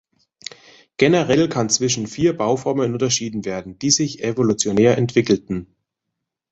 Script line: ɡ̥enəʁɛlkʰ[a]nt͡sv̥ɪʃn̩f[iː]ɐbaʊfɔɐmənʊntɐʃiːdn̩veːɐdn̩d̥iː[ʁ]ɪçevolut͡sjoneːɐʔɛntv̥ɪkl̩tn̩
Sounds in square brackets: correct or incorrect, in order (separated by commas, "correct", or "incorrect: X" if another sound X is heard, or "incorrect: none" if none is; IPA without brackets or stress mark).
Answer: correct, correct, incorrect: z